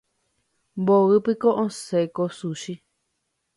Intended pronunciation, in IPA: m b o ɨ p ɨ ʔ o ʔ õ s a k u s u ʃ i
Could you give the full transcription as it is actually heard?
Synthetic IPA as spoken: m b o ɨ p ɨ k o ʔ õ s e k o s u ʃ i

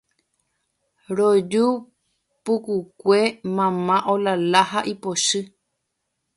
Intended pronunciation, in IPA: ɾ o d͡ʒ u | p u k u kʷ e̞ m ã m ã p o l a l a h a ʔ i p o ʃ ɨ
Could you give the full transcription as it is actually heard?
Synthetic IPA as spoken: ɾ o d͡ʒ u | p u k u kʷ e̞ m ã m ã ʔ o l a l a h a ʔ i p o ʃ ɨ

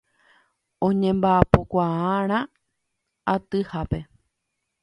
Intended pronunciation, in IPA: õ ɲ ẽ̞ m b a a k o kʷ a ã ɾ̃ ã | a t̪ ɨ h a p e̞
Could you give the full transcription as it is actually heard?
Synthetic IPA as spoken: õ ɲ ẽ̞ m b a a p o kʷ a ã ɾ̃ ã | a t̪ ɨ h a p e̞

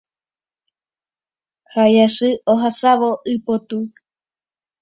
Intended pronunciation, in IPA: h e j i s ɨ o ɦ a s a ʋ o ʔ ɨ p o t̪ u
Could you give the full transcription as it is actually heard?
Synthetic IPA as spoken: h a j a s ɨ o ɦ a s a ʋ o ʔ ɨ p o t̪ u

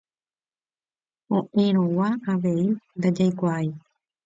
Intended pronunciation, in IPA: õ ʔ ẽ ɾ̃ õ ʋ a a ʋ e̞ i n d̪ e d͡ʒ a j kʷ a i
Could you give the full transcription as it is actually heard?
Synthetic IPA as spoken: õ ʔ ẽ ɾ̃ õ w a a ʋ e̞ i n d̪ a d͡ʒ a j kʷ a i

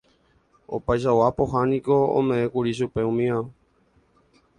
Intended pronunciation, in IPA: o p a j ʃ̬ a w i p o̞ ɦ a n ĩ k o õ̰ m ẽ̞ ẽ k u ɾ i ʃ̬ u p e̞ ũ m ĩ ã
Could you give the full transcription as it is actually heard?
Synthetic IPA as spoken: o p a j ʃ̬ a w a p o̞ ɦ a n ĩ k o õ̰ m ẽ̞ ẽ k u ɾ i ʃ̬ u p e̞ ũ m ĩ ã

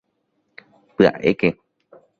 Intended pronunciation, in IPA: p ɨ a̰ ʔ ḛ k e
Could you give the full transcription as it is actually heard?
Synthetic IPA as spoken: p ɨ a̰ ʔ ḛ k e

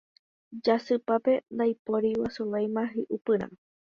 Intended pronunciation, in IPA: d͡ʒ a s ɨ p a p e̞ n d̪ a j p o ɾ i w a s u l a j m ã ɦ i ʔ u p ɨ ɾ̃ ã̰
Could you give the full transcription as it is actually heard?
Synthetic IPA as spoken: d͡ʒ a s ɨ p a p e̞ n d̪ a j p o ɾ i w a s u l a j m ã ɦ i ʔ u p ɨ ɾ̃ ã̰

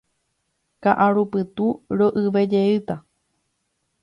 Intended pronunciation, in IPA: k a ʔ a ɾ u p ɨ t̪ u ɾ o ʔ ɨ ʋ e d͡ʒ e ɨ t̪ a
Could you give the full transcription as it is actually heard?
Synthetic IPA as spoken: k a ʔ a ɾ u p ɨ t̪ u ɾ o ʔ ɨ ʋ e d͡ʒ e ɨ t̪ a

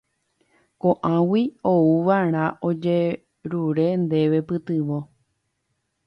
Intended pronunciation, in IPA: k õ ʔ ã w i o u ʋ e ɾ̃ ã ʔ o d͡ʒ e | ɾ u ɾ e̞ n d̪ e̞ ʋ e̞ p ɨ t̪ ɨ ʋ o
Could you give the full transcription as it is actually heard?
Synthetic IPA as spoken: k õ ʔ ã w i o u ʋ a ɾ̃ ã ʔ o d͡ʒ e | ɾ u ɾ e̞ n d̪ e̞ ʋ e̞ p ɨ t̪ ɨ ʋ o

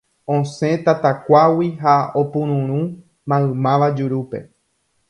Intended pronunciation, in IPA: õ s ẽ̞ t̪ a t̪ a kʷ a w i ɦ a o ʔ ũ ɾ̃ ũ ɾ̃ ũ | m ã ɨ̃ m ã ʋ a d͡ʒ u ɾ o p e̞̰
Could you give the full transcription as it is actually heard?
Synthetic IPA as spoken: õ s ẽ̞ t̪ a t̪ a kʷ a w i ɦ a o p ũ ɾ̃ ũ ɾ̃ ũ | m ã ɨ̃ m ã ʋ a d͡ʒ u ɾ u p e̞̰

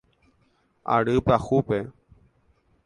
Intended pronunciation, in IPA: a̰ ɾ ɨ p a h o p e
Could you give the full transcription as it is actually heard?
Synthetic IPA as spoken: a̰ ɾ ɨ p a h u p e

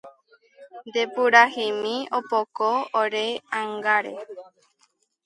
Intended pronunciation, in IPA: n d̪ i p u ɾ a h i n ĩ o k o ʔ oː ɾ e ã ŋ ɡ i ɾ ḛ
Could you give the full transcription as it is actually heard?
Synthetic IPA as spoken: n d̪ e p u ɾ a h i m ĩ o p o k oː ɾ e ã ŋ ɡ a ɾ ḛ

